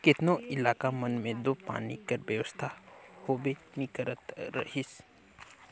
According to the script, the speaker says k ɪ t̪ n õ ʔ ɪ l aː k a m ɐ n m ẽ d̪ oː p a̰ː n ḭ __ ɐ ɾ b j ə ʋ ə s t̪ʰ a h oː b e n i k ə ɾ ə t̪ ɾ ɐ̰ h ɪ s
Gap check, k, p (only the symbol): k